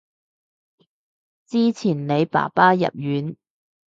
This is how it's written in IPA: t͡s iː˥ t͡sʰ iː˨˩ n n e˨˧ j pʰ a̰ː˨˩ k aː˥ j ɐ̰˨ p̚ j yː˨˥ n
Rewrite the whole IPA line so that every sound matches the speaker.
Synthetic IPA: t͡s iː˥ t͡sʰ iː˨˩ n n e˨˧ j p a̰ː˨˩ p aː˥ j ɐ̰˨ p̚ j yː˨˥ n